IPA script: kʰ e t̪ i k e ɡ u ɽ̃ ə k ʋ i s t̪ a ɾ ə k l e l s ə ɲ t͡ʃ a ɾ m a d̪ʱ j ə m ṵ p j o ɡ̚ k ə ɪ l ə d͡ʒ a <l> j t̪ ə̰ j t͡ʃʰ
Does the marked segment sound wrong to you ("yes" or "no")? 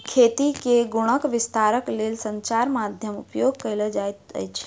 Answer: yes